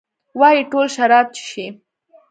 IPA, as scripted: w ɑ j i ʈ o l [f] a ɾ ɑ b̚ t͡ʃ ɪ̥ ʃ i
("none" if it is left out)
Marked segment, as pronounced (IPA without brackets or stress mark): ʃ